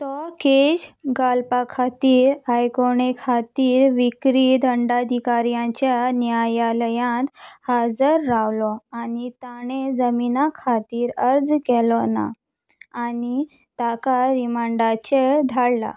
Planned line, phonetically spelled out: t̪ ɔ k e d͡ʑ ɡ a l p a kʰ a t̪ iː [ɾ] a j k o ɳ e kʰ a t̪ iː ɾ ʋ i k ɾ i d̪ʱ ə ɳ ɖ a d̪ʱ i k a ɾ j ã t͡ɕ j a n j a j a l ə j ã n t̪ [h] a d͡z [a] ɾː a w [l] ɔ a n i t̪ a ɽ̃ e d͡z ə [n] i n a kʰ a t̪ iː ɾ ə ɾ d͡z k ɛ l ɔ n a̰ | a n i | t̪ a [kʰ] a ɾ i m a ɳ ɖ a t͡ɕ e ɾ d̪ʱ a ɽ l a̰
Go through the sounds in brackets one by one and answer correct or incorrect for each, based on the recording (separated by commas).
correct, correct, incorrect, correct, incorrect, incorrect